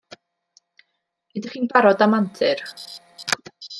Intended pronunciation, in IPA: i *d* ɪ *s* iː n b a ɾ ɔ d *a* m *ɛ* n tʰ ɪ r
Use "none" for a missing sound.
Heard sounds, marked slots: d, χ, a, a

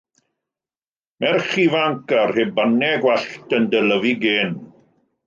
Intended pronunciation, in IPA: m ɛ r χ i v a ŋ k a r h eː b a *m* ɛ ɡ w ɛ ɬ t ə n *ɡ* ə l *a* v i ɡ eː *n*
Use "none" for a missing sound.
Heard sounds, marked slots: n, d, ə, n

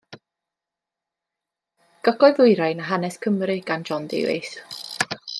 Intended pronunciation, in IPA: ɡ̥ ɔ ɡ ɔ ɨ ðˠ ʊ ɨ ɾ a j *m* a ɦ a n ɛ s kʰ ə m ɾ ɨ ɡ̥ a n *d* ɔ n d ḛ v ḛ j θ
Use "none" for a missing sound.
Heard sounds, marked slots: n, d͡ʒ

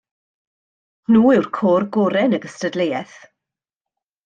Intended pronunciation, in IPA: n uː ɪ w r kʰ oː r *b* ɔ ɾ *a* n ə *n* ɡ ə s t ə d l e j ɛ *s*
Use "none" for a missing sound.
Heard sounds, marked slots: ɡ, ɛ, none, θ

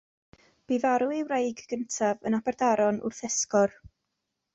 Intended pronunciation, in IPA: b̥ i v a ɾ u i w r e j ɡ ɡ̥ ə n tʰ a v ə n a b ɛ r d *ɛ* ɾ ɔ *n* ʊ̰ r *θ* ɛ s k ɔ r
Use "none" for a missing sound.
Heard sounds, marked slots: a, n, θ

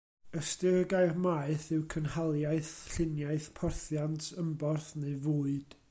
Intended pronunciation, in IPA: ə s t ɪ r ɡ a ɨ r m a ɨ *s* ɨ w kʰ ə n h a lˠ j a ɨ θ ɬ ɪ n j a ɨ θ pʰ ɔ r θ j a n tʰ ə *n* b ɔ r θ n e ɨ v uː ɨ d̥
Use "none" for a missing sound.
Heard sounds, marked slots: θ, m

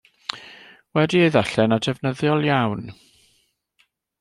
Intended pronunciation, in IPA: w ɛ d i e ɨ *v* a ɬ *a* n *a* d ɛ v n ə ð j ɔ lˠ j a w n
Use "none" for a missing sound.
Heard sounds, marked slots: ð, ɛ, a

